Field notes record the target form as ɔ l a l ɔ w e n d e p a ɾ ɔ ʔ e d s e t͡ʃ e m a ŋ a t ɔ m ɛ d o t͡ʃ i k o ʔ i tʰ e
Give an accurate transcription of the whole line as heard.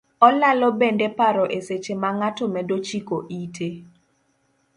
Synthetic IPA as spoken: ɔ l a l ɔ b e n d e p a ɾ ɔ ʔ e s e t͡ʃ e m a ŋ a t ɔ m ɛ d o t͡ʃ i k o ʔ i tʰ e

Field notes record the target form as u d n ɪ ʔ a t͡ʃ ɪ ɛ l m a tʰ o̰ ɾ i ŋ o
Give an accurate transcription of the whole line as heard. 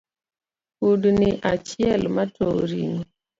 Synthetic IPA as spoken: u d n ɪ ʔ a t͡ʃ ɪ ɛ l m a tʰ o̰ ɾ i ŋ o

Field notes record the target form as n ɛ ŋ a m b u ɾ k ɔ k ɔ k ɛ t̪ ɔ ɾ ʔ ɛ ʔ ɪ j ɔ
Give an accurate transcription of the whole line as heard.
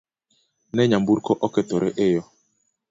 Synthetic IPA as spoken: n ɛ ɲ a m b u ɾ k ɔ ʔ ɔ k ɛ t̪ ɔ ɾ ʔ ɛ ʔ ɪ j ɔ

